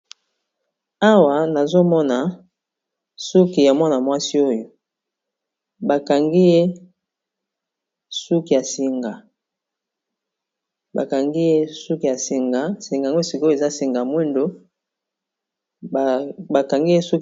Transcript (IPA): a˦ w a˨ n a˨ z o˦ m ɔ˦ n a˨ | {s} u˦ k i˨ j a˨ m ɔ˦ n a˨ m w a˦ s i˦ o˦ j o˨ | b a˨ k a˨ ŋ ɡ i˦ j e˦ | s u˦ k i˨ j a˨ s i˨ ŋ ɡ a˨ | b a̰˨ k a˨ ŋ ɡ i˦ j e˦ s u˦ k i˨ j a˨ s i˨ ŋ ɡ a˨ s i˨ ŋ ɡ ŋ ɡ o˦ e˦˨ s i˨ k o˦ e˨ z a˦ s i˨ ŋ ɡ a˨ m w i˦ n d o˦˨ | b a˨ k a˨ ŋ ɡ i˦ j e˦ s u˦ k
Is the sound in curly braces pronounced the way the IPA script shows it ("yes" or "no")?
yes